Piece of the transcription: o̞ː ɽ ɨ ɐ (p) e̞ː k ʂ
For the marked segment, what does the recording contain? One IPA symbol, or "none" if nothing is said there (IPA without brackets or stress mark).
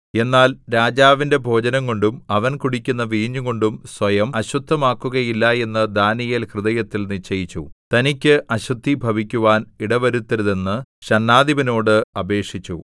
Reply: b